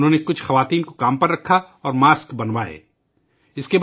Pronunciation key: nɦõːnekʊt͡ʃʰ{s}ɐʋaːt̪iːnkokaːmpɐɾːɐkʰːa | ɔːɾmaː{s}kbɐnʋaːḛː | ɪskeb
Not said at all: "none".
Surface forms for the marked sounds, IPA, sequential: x, s

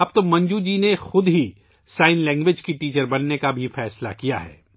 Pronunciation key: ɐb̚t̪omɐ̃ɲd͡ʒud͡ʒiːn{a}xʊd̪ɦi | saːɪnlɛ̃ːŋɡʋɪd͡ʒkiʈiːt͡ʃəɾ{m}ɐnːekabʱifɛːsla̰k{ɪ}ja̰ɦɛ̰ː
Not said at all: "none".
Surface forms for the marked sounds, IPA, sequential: e, b, i

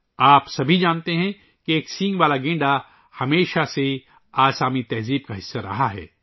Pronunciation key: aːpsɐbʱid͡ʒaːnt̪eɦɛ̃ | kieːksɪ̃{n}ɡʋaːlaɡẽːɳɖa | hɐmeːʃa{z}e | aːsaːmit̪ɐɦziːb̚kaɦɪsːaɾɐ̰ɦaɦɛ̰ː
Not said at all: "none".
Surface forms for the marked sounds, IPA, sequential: ŋ, s

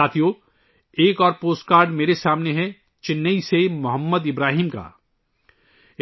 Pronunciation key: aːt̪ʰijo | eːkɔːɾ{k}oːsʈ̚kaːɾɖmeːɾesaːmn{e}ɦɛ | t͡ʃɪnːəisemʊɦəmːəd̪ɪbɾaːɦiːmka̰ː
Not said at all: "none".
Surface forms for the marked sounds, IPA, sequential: p, e

